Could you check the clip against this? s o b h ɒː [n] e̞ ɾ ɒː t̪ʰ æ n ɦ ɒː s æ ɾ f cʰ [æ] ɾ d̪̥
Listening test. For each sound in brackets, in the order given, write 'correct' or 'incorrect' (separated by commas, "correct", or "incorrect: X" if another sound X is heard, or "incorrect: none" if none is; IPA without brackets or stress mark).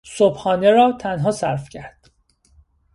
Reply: correct, correct